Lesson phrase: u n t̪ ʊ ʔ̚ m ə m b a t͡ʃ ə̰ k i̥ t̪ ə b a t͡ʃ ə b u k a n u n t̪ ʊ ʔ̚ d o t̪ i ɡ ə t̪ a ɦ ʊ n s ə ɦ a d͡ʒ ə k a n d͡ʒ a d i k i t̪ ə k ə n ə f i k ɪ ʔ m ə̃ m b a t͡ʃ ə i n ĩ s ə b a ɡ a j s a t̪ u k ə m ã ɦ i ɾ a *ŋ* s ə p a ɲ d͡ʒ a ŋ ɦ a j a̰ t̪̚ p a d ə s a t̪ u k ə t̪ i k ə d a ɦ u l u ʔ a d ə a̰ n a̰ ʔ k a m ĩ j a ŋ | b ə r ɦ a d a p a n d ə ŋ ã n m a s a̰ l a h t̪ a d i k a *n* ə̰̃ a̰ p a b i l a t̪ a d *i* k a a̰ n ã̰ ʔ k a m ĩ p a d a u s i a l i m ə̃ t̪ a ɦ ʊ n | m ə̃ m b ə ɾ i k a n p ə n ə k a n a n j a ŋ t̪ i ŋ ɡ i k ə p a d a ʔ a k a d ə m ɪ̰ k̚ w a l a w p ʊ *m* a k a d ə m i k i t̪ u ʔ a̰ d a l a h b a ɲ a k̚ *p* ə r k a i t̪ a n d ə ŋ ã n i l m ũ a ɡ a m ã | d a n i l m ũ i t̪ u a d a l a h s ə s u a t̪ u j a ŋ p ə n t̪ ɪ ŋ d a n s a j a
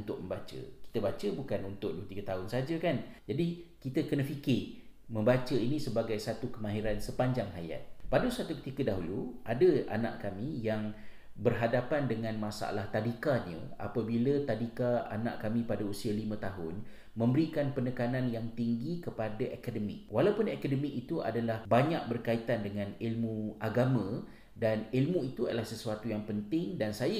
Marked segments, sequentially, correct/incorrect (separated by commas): incorrect, incorrect, correct, incorrect, incorrect